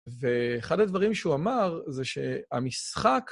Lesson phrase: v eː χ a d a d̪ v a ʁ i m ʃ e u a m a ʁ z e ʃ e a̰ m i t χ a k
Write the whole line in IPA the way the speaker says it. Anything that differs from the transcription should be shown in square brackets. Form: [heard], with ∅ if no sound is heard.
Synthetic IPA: v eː χ a d a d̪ v a ʁ i m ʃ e u a m a ʁ z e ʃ e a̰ m i [s] χ a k